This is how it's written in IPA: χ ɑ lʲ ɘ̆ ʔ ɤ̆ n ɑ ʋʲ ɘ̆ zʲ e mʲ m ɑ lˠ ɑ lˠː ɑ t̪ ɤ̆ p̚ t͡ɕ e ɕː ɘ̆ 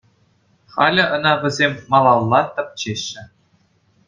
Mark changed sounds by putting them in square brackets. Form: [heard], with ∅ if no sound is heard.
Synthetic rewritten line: χ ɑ lʲ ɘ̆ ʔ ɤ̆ n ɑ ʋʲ ɘ̆ zʲ e mʲ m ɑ lˠ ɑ lˠː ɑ t̪ ɤ̆ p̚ t͡ɕ e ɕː ɘ̆

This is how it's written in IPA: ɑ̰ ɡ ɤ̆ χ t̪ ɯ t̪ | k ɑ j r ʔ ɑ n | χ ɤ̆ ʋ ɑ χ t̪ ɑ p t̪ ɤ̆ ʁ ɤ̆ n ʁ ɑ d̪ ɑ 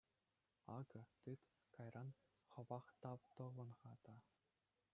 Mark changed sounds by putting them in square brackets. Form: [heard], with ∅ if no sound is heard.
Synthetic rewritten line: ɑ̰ ɡ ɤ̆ [∅] t̪ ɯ t̪ | k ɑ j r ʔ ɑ n | χ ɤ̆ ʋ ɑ χ t̪ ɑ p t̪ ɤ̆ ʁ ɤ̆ n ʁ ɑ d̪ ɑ

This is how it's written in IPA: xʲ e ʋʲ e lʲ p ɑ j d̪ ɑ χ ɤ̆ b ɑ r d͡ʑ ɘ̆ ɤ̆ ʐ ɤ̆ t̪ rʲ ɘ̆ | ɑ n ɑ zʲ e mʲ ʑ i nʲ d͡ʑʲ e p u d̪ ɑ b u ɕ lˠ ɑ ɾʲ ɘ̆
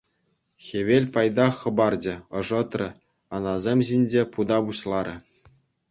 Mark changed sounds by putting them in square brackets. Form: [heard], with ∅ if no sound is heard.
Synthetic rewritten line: xʲ e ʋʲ e lʲ p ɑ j d̪ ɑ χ ɤ̆ b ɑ r d͡ʑ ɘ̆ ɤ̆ ʐ ɤ̆ t̪ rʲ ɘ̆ | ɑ n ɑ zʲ e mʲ ʑ i nʲ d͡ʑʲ e p u d̪ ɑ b u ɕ lˠ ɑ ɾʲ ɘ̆

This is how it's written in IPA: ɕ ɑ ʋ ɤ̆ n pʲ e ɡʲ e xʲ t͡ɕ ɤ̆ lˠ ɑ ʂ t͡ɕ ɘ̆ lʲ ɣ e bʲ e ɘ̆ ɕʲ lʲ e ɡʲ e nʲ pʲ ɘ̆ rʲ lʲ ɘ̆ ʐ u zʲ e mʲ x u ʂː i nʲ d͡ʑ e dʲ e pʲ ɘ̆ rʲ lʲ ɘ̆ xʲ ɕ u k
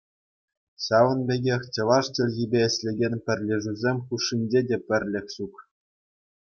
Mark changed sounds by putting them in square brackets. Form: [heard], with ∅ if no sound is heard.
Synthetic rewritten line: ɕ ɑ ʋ ɤ̆ n [bʲ] e ɡʲ e xʲ t͡ɕ ɤ̆ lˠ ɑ ʂ t͡ɕ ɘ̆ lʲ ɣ [i] bʲ e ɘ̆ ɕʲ lʲ e ɡʲ e nʲ pʲ ɘ̆ rʲ lʲ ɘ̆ ʐ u zʲ e mʲ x u ʂː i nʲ d͡ʑ e dʲ e pʲ ɘ̆ rʲ lʲ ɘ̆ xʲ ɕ u k

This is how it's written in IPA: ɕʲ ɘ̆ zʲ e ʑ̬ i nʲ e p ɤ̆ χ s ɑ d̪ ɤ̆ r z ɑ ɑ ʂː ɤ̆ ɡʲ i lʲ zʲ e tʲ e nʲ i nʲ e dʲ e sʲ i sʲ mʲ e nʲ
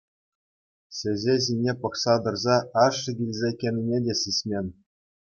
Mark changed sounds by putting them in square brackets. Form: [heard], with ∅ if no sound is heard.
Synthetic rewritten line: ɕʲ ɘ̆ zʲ e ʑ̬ i nʲ e p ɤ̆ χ s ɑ d̪ ɤ̆ r z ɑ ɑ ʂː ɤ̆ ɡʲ i lʲ zʲ e [kʲ] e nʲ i nʲ e dʲ e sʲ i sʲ mʲ e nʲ

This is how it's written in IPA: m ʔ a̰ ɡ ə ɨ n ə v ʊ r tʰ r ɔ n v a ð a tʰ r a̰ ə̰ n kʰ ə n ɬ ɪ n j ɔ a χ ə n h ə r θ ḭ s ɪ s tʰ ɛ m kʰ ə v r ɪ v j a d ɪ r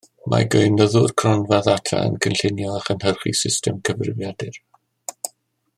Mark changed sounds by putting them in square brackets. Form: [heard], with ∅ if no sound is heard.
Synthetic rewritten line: m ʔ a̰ ɡ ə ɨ n ə [ð] ʊ r [kʰ] r ɔ n v a ð a tʰ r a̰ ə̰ n kʰ ə n ɬ ɪ n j ɔ a χ ə n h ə r [χ] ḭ s ɪ s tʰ ɛ m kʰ ə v r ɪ v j a d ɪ r

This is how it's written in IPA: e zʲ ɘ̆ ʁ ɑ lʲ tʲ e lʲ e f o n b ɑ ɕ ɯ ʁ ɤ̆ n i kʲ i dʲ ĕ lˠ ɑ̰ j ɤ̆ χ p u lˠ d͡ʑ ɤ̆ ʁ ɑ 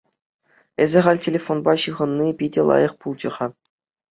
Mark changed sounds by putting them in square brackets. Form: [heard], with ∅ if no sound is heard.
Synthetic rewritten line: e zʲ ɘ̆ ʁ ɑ lʲ tʲ e lʲ e f o n b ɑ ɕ ɯ ʁ ɤ̆ [nː] i [pʲ] i dʲ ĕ lˠ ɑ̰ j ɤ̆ χ p u lˠ d͡ʑ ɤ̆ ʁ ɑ

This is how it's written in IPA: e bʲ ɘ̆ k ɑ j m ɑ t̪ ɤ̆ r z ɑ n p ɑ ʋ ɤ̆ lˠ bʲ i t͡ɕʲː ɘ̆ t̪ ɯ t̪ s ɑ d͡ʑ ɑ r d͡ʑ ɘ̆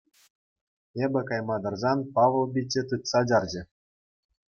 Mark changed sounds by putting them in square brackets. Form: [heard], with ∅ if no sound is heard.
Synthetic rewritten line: e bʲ ɘ̆ k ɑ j m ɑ [d̪] ɤ̆ r z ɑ n p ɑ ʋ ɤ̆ lˠ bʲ i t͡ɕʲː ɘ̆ t̪ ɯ t̪ s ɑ d͡ʑ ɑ r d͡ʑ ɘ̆

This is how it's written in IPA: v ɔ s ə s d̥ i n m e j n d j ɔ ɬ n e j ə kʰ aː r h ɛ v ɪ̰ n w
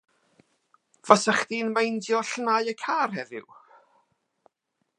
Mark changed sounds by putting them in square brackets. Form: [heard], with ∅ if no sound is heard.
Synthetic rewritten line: v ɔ s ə [χ] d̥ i n m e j n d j ɔ ɬ n [a] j ə kʰ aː r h ɛ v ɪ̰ [∅] w

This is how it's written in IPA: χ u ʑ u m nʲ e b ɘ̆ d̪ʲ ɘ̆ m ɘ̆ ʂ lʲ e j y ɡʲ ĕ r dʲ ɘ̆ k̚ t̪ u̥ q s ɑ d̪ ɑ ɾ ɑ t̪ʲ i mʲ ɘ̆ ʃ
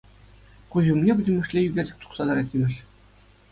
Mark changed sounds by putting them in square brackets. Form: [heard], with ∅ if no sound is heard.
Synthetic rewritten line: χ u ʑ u m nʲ e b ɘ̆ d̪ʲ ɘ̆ m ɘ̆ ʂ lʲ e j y ɡʲ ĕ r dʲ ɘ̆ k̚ t̪ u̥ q s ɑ d̪ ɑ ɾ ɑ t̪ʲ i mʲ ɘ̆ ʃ

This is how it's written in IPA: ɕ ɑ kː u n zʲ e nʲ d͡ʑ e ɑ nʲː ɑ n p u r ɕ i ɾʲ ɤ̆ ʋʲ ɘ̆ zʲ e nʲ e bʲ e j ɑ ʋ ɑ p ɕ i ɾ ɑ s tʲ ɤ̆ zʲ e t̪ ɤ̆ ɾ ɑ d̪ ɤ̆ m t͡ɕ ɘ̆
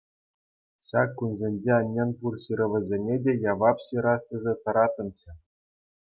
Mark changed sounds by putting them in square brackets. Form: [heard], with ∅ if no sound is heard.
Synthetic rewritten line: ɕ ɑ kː u n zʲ e nʲ d͡ʑ e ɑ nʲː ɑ n p u r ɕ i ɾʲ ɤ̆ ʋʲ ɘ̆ zʲ e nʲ e [dʲ] e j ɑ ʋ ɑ p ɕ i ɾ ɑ s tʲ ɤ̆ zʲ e t̪ ɤ̆ ɾ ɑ [t̪] ɤ̆ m t͡ɕ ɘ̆

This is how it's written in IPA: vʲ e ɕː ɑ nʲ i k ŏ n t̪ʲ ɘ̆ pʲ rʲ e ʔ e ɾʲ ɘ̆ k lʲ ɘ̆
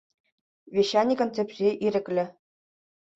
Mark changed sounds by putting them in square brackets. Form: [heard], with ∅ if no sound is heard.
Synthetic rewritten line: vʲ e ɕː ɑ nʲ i k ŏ n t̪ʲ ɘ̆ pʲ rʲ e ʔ [i] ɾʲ ɘ̆ k lʲ ɘ̆

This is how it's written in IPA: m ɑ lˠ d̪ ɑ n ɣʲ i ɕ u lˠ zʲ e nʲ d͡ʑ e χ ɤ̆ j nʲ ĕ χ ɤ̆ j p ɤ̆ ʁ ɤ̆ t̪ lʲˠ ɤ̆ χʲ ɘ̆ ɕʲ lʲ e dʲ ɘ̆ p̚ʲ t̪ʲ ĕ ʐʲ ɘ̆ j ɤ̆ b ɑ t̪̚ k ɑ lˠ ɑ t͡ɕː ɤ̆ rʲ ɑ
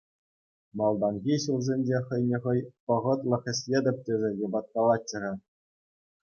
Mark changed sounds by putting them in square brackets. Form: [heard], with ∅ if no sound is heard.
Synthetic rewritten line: m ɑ lˠ d̪ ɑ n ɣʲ i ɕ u lˠ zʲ e nʲ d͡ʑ e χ ɤ̆ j nʲ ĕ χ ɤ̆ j p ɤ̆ ʁ ɤ̆ t̪ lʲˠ ɤ̆ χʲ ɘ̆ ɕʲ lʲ e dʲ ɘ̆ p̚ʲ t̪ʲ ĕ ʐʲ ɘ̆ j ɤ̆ b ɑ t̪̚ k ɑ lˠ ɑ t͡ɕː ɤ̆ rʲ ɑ

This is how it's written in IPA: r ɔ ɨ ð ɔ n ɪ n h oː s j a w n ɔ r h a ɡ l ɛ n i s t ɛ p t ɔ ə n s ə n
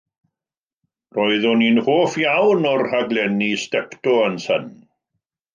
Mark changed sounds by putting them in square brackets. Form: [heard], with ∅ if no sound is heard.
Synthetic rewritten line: r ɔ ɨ ð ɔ n [i] n h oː [f] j a w n ɔ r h a ɡ l ɛ n i s t ɛ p t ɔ ə n s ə n

